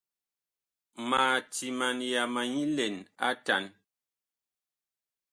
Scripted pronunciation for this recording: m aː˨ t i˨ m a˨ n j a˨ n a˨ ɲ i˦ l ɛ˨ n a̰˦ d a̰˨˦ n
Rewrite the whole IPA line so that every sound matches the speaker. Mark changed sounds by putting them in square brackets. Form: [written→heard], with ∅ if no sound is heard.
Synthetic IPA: m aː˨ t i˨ m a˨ n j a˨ [n→m] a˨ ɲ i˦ l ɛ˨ n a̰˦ [d→t] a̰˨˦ n

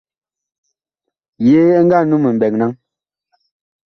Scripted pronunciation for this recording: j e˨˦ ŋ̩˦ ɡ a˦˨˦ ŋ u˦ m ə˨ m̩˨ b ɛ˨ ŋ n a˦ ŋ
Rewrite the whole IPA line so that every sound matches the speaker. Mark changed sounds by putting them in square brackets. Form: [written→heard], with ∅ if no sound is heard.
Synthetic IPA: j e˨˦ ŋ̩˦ ɡ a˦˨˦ [ŋ→n] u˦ m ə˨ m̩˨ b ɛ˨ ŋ n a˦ ŋ

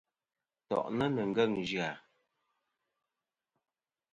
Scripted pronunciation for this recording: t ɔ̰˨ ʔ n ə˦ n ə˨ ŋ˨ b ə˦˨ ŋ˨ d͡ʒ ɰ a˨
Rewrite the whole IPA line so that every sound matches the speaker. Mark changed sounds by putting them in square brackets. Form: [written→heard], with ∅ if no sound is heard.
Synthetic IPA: t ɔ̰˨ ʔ n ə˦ n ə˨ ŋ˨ [b→ɡ] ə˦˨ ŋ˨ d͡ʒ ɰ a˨

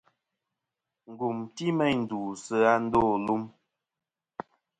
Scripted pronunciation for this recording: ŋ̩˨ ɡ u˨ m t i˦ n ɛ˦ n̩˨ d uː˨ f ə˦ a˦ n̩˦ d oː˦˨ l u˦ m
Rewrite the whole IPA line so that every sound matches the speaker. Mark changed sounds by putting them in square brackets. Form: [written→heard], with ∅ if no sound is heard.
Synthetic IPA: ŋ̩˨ ɡ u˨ m t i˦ [n→m] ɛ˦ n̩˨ d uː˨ [f→s] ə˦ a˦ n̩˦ d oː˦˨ l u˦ m

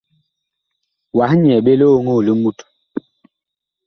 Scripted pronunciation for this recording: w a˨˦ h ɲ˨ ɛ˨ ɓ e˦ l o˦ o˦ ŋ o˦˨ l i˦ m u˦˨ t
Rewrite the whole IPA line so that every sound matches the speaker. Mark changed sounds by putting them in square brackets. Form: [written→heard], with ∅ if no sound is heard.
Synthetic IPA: w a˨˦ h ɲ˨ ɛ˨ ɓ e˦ l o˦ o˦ ŋ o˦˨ l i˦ m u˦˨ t

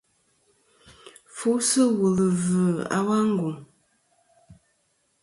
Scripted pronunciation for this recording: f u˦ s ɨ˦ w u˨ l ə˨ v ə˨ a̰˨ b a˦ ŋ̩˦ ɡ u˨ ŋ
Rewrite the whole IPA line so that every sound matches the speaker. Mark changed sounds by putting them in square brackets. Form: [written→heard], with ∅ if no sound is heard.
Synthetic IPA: f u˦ s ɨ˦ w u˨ l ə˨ v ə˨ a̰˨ [b→w] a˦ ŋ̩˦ ɡ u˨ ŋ

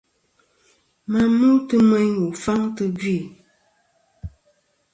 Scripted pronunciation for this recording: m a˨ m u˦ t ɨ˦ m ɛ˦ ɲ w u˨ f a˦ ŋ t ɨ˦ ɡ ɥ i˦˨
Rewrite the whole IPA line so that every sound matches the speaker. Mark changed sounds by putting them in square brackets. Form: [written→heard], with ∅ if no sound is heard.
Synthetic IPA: m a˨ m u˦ t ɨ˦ m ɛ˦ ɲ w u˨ f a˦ ŋ t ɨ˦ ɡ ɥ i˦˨

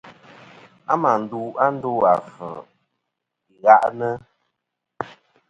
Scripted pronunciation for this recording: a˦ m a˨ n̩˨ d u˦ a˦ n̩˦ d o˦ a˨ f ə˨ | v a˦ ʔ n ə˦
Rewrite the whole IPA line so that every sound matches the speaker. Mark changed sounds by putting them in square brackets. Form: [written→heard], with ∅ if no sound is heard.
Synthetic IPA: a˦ m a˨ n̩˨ d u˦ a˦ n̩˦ d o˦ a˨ f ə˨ | [v→ɣ] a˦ ʔ n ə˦

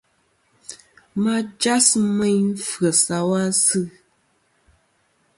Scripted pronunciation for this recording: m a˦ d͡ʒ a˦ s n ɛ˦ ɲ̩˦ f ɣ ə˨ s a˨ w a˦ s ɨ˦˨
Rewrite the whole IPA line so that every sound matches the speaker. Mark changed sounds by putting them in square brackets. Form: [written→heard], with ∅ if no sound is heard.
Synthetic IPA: m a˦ d͡ʒ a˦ s [n→m] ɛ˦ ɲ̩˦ f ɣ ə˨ s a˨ w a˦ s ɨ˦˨

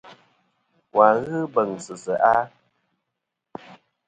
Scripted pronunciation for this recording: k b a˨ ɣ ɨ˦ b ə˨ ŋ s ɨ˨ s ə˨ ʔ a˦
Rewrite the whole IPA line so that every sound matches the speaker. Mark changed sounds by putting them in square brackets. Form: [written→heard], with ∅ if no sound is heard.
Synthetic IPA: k [b→w] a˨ ɣ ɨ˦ b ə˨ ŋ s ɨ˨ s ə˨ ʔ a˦

